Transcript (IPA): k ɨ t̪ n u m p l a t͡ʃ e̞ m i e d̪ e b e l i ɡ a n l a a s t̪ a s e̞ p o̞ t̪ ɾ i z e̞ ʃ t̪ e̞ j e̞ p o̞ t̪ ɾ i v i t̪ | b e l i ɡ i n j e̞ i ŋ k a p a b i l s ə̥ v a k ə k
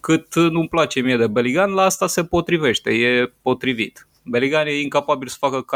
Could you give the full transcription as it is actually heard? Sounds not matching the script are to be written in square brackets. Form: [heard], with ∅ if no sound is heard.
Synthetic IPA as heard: k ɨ t̪ n u m p l a t͡ʃ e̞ m i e d̪ e b e l i ɡ a n l a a s t̪ a s e̞ p o̞ t̪ ɾ i [v] e̞ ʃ t̪ e̞ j e̞ p o̞ t̪ ɾ i v i t̪ | b e l i ɡ [a] n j e̞ i ŋ k a p a b i l s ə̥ [f] a k ə k